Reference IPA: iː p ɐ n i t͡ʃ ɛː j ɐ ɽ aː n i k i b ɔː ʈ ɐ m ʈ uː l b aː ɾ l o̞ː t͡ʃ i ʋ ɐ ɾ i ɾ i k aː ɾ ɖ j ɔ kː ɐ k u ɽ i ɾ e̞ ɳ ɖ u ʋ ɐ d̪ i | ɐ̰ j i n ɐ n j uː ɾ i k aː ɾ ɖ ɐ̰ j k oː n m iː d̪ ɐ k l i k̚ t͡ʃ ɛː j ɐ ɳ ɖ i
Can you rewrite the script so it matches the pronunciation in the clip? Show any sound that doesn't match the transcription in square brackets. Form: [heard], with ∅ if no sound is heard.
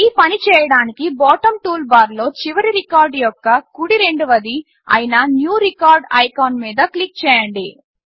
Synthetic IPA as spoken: iː p ɐ n i t͡ʃ ɛː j ɐ ɽ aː n i k i b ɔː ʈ ɐ m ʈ uː l b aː ɾ l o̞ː t͡ʃ i ʋ ɐ ɾ i ɾ i k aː ɾ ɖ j ɔ kː ɐ k u ɽ i ɾ e̞ ɳ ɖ u ʋ ɐ d̪ i | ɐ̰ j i n ɐ n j uː ɾ i k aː ɾ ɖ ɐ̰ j k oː n m iː d̪ ɐ k l i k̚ t͡ʃ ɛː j ɐ ɳ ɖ i